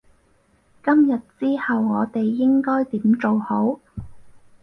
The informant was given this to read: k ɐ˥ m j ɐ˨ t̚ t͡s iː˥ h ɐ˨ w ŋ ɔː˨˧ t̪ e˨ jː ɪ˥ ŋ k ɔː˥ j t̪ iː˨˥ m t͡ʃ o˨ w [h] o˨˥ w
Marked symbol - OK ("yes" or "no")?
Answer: yes